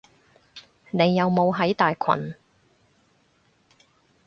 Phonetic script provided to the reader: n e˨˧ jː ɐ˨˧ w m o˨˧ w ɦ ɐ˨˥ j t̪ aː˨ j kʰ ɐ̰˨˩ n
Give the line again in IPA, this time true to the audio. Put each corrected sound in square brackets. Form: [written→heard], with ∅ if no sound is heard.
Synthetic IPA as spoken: n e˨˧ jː ɐ˨˧ w m o˨˧ w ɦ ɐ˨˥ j t̪ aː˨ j kʰ ɐ̰˨˩ n